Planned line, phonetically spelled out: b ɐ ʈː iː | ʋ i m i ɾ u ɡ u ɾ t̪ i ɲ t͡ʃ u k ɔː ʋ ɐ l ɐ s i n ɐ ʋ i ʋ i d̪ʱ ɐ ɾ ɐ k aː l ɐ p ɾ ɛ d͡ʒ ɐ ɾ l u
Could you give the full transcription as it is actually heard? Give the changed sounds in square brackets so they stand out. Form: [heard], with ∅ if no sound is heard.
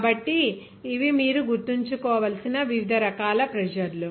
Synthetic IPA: b ɐ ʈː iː | ʋ i m [iː] ɾ u ɡ u ɾ t̪ i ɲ t͡ʃ u k ɔː ʋ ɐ l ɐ s i n ɐ ʋ i ʋ i d̪ʱ ɐ ɾ ɐ k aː l ɐ p ɾ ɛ d͡ʒ ɐ ɾ l u